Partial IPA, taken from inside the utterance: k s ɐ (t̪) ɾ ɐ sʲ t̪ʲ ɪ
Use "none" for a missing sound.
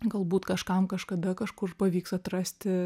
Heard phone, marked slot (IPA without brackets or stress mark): t̪